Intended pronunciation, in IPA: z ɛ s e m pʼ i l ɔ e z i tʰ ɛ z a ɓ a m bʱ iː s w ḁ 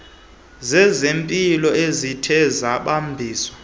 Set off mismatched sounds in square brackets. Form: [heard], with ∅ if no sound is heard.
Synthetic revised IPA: z ɛ [z] e m pʼ i l ɔ e z i tʰ ɛ z a ɓ a m bʱ iː s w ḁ